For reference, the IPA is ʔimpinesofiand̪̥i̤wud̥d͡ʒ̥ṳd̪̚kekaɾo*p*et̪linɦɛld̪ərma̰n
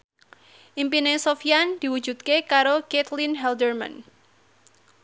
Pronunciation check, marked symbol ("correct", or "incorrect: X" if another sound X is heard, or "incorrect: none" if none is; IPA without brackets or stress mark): incorrect: k